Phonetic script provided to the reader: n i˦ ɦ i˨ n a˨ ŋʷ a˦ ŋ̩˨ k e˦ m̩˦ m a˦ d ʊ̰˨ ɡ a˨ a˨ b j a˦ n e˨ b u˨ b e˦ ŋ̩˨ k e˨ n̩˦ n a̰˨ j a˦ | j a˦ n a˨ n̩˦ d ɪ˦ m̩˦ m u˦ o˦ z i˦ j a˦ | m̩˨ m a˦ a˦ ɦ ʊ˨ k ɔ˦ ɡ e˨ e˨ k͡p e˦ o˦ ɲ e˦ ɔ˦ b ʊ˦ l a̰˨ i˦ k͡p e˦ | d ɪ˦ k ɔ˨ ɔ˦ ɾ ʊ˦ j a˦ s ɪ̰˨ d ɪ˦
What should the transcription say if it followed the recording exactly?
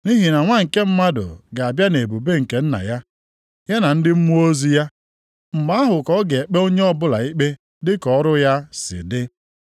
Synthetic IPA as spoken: n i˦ ɦ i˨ n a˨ ŋʷ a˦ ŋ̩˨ k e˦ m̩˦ m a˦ d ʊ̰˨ ɡ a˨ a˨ b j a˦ n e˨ b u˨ b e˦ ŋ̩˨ k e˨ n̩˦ n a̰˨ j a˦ | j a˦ n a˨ n̩˦ d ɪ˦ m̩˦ m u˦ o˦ z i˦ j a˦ | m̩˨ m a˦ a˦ ɦ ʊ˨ k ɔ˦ ɡ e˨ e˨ k͡p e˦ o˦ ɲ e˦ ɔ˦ b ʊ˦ l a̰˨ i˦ k͡p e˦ | d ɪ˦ k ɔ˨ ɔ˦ ɾ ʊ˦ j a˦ s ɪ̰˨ d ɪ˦

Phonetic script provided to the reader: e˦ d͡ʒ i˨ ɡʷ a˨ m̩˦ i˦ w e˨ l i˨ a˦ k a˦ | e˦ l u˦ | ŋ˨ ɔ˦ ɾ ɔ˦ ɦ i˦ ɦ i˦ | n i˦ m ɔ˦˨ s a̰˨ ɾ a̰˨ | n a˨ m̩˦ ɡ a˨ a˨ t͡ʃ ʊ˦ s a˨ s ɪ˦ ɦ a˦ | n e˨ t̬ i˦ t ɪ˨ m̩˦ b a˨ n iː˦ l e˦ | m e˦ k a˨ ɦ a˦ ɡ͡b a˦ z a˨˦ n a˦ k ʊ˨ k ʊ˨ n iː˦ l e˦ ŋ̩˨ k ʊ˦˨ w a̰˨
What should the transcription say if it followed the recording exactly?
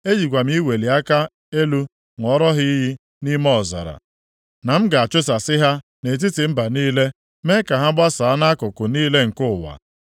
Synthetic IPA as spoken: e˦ d͡ʒ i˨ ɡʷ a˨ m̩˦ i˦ w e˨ l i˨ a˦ k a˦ | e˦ l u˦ | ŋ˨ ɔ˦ ɾ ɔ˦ ɦ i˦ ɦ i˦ | n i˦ m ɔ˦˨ z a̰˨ ɾ a̰˨ | n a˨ m̩˦ ɡ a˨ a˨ t͡ʃ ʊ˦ s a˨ s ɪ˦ ɦ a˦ | n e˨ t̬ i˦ t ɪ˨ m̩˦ b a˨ n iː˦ l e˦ | m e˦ k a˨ ɦ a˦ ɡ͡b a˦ s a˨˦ n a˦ k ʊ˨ k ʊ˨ n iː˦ l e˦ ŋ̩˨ k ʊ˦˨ w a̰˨

